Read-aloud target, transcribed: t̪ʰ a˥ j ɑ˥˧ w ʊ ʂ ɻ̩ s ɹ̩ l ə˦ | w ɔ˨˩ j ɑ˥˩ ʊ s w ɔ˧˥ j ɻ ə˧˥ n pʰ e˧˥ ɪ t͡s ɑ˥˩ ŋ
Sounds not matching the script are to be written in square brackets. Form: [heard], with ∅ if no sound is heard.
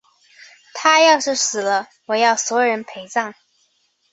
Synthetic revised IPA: t̪ʰ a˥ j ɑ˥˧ [∅] ʊ ʂ ɻ̩ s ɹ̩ l ə˦ | w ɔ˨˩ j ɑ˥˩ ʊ s w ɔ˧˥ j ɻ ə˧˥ n pʰ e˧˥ ɪ t͡s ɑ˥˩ ŋ